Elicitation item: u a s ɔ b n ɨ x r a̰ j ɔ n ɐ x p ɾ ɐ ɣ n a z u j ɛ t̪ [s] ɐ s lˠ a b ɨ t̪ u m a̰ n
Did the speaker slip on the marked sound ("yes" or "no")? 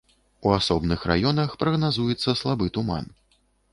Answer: yes